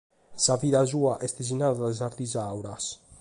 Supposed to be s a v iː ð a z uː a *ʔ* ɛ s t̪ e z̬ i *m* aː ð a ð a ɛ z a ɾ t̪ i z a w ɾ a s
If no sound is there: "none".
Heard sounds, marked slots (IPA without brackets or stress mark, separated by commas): ʔ, n